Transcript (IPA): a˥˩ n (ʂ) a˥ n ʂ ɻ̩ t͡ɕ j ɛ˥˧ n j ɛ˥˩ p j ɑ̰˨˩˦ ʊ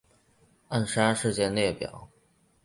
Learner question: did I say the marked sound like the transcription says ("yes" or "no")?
yes